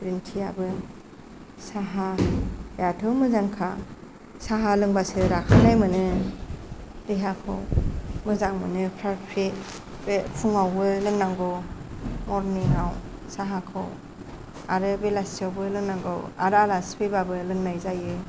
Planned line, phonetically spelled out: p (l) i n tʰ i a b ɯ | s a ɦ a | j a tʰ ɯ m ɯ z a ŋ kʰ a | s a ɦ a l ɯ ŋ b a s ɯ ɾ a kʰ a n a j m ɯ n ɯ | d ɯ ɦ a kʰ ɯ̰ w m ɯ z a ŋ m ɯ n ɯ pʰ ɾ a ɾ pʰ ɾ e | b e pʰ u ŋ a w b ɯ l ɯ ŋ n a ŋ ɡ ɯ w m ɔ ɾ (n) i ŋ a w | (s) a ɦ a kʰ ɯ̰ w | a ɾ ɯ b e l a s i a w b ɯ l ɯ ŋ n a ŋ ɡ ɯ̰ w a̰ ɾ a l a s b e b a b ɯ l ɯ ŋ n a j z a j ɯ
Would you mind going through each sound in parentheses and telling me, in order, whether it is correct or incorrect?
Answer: incorrect: ɾ, correct, correct

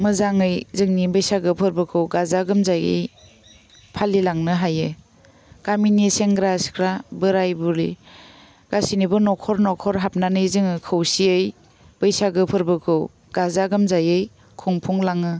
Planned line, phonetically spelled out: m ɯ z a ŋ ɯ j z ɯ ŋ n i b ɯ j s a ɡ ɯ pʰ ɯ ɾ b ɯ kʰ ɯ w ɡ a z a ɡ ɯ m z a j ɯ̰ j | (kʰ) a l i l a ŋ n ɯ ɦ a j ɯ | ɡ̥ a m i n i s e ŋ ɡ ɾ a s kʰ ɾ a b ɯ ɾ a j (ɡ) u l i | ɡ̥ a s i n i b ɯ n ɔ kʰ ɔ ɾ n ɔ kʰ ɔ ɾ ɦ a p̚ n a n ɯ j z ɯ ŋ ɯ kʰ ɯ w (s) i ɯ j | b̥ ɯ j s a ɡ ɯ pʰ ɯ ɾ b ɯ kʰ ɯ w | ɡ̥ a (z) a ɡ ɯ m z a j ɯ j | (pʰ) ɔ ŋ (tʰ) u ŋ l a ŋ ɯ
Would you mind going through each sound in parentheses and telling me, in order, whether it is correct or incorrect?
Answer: incorrect: pʰ, incorrect: b, correct, correct, incorrect: kʰ, incorrect: pʰ

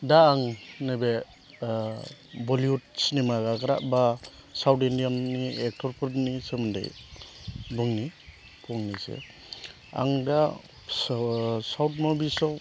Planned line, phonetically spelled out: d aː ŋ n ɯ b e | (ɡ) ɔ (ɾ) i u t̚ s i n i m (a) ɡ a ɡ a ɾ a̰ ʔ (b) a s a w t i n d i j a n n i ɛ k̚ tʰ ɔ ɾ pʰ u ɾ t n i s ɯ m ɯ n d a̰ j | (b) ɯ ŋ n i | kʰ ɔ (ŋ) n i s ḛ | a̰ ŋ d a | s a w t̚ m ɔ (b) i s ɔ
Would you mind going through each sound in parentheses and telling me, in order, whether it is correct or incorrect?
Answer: incorrect: b, incorrect: l, correct, correct, correct, correct, correct

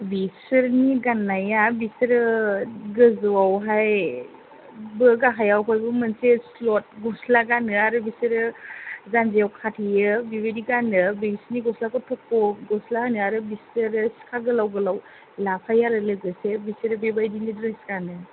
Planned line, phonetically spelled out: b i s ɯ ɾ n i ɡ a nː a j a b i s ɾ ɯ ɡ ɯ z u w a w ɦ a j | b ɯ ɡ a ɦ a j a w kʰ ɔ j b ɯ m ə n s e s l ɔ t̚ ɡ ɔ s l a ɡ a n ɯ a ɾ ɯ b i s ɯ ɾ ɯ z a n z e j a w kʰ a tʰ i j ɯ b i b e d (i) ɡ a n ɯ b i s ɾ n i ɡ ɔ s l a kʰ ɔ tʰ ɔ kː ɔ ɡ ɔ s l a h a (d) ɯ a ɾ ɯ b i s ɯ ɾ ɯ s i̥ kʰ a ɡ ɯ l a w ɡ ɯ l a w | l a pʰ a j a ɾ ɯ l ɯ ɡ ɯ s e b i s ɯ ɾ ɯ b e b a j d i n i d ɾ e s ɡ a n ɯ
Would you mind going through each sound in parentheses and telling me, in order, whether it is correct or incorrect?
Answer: correct, incorrect: n

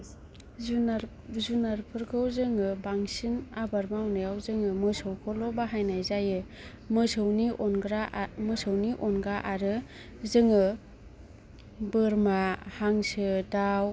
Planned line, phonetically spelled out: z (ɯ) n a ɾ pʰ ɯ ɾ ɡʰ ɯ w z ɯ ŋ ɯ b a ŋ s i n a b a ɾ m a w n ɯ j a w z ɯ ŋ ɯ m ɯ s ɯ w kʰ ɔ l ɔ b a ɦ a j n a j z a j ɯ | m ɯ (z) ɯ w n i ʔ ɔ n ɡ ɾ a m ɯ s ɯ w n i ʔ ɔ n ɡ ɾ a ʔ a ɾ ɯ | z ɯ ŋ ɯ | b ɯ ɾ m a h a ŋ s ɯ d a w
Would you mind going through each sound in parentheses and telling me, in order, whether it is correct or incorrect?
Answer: incorrect: u, incorrect: s

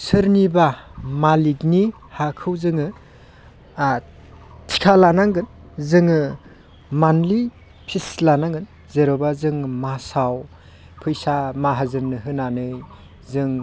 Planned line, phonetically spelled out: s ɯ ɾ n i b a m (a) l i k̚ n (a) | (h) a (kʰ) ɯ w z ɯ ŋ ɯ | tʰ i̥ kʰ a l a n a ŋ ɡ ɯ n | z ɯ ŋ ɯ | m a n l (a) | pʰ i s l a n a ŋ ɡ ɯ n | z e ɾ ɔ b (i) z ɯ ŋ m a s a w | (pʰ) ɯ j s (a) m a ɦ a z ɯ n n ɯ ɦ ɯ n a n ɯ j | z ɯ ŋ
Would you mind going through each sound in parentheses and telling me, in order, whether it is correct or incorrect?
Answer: correct, incorrect: i, correct, correct, incorrect: i, incorrect: a, correct, correct

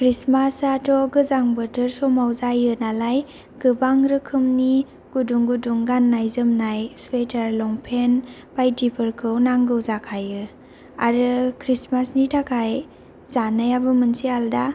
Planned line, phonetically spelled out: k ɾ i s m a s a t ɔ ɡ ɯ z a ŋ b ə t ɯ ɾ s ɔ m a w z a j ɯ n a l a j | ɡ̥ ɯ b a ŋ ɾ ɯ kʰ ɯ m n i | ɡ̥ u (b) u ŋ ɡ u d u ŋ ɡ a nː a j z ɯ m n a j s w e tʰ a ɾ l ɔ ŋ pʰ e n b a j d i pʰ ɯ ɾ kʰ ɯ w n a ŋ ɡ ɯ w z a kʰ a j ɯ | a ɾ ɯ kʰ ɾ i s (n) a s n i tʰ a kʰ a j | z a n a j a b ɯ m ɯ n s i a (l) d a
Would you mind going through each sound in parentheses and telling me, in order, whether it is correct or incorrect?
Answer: incorrect: d, incorrect: m, correct

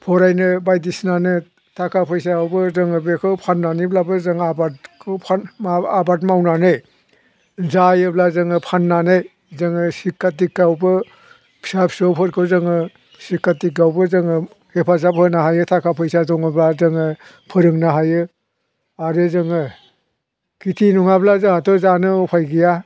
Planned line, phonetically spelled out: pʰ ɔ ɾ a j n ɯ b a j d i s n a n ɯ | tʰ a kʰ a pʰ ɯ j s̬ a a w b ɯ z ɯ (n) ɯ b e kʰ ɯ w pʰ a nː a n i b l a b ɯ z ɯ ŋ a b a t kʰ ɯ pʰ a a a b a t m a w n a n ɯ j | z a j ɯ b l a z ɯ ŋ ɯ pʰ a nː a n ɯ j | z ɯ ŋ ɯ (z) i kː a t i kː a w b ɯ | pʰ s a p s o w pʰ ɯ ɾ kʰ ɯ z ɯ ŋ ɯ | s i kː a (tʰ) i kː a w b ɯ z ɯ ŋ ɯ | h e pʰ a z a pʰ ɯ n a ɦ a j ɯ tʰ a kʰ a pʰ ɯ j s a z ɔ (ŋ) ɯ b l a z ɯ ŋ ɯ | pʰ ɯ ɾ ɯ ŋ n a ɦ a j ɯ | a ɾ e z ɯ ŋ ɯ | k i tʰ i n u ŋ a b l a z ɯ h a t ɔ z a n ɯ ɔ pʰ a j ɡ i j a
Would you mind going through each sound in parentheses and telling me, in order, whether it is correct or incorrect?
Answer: incorrect: ŋ, incorrect: s, incorrect: t, correct

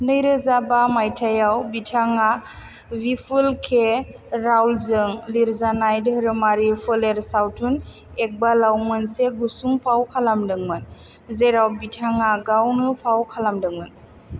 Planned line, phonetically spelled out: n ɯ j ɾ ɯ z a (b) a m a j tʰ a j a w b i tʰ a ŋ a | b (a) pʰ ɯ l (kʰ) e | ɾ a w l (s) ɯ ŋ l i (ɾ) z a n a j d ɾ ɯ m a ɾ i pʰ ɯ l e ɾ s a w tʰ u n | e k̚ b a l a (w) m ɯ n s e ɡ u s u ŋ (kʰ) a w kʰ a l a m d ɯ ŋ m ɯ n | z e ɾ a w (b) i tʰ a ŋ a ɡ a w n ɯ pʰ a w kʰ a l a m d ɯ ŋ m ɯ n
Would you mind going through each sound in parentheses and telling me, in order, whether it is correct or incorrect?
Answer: correct, incorrect: i, correct, incorrect: z, correct, correct, incorrect: pʰ, correct

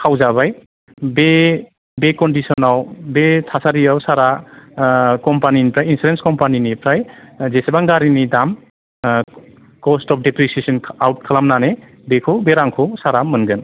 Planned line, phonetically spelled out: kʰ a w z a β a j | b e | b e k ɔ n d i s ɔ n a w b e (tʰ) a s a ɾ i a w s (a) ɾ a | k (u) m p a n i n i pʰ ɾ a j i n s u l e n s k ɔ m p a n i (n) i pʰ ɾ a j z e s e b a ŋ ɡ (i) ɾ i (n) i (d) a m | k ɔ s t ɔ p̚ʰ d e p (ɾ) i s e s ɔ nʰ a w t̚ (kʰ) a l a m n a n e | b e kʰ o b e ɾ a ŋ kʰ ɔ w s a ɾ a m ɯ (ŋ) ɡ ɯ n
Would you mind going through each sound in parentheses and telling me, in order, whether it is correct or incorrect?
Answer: correct, correct, incorrect: ɔ, correct, incorrect: a, correct, correct, correct, correct, incorrect: n

